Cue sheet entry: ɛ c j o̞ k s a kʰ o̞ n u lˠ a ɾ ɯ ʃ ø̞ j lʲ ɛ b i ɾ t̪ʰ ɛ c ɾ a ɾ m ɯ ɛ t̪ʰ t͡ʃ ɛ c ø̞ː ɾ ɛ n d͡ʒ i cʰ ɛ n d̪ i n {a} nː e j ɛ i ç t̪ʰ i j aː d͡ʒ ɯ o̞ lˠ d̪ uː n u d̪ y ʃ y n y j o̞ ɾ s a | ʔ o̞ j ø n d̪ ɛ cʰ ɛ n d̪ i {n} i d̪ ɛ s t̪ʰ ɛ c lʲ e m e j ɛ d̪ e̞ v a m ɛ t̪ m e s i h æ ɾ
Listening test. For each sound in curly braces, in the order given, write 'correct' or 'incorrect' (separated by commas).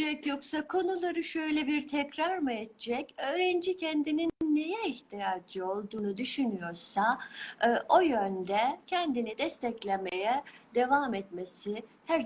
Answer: incorrect, correct